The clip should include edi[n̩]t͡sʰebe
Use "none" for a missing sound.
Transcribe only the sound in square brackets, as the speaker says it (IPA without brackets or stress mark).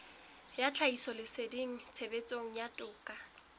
ŋ̩